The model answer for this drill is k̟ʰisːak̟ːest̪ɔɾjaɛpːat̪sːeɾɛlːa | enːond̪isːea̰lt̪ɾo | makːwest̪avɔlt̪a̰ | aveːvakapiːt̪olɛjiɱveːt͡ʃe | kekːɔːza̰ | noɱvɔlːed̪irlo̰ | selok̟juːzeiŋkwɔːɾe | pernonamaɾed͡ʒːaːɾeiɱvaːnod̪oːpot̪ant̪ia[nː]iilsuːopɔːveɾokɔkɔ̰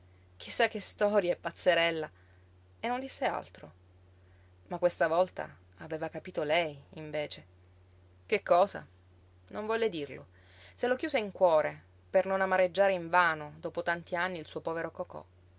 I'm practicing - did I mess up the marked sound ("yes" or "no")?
no